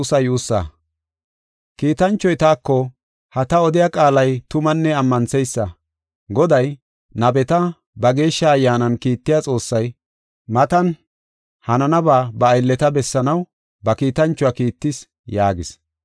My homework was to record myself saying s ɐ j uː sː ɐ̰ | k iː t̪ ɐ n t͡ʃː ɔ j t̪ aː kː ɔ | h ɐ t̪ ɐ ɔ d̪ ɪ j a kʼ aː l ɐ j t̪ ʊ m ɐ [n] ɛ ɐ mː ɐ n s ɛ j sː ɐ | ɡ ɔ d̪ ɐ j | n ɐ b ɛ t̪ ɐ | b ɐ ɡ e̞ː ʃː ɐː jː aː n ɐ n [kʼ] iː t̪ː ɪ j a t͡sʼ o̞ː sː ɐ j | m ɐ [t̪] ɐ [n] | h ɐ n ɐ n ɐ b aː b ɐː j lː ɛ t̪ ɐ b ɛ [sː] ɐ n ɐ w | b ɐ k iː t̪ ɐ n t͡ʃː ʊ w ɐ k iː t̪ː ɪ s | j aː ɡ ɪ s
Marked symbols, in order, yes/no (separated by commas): no, no, yes, yes, yes